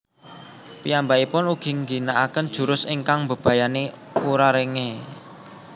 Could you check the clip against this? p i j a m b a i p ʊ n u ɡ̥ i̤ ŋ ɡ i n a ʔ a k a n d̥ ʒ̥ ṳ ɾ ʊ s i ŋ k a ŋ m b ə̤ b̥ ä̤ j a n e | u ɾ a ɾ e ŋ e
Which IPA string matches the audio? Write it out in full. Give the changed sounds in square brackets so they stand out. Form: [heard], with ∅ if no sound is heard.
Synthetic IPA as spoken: p i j a m b a i p ʊ n u ɡ̥ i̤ ŋ ɡ i n a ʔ a k [ə] n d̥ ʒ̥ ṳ ɾ ʊ s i ŋ k a ŋ m b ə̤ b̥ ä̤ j a n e | u ɾ a ɾ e ŋ e